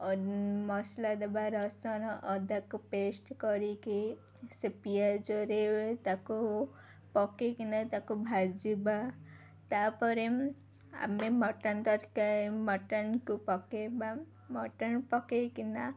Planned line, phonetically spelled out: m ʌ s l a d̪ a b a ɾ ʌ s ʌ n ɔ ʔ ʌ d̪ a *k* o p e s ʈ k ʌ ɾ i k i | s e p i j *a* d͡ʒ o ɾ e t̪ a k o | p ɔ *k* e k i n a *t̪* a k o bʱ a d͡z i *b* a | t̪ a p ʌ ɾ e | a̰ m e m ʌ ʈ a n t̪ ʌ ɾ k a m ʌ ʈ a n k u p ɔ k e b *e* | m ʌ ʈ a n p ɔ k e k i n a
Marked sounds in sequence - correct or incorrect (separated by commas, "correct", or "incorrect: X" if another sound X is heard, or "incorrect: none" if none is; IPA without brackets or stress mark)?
correct, correct, correct, correct, correct, incorrect: a